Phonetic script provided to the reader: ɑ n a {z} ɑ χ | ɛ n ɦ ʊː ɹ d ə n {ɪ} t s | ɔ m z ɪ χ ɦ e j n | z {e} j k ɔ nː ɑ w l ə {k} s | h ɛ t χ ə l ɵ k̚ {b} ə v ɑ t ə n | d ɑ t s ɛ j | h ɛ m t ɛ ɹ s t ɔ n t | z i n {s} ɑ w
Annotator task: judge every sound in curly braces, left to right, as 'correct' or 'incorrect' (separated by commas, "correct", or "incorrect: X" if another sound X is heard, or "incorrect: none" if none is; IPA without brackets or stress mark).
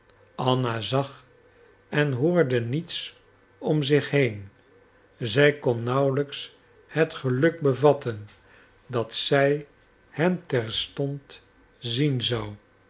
correct, incorrect: i, incorrect: ɛ, correct, correct, incorrect: z